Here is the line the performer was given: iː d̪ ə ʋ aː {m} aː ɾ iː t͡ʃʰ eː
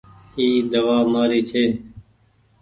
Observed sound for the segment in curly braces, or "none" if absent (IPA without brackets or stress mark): m